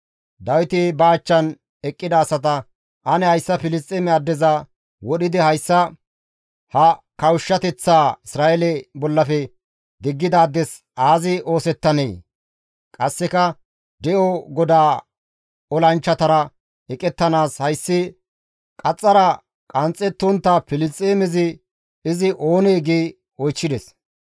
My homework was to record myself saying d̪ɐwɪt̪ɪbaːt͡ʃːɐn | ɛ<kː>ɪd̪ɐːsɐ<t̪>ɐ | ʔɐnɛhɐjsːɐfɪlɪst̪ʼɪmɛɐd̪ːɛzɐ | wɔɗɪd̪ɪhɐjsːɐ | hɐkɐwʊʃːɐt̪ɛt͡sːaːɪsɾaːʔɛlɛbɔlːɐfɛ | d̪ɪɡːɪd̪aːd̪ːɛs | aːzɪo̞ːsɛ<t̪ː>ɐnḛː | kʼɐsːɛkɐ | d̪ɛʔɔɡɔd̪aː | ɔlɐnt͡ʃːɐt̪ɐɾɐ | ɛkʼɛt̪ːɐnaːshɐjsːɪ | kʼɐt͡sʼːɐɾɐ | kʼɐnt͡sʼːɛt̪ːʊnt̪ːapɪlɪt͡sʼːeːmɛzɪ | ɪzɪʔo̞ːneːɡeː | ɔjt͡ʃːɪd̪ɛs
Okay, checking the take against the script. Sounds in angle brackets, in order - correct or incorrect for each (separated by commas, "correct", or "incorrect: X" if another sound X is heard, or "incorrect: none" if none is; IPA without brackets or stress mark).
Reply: incorrect: kʼː, correct, correct